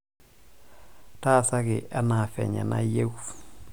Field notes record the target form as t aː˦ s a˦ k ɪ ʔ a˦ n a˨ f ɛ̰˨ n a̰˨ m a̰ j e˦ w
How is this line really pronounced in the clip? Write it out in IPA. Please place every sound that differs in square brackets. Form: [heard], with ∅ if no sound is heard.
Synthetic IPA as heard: t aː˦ s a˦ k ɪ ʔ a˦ n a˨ f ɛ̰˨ [ɲ] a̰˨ [n] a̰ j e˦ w